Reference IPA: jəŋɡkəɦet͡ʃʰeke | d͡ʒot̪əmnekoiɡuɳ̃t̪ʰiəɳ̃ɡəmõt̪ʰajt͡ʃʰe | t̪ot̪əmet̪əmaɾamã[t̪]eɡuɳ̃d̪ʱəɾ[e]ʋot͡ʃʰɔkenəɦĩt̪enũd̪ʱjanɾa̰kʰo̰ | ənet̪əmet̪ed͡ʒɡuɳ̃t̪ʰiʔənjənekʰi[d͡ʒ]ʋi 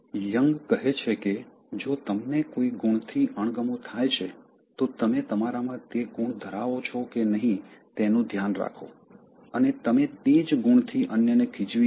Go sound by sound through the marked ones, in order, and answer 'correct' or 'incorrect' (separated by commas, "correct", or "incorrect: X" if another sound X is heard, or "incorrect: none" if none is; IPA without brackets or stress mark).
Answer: correct, incorrect: a, correct